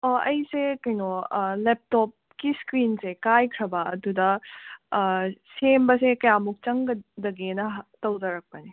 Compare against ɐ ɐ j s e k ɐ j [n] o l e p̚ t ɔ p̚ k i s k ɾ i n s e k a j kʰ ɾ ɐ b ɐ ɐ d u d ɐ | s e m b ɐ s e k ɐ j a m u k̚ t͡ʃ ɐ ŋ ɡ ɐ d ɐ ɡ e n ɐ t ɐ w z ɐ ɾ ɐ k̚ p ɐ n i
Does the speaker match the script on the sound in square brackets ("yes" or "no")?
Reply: yes